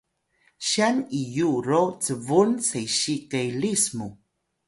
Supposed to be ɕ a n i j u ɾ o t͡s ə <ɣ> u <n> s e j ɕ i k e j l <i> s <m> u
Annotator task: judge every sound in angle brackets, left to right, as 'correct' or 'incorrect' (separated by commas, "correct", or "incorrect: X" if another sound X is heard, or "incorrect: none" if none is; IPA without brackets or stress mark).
incorrect: v, correct, correct, correct